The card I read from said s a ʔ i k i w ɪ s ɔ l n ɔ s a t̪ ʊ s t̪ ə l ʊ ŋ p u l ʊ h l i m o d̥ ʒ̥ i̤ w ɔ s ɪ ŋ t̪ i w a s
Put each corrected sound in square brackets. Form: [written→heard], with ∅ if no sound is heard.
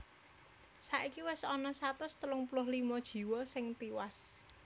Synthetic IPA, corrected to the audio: s a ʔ i k i w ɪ s ɔ [l→∅] n ɔ s a t̪ ʊ s t̪ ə l ʊ ŋ p u l ʊ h l i m [o→ɔ] d̥ ʒ̥ i̤ w ɔ s ɪ ŋ t̪ i w a s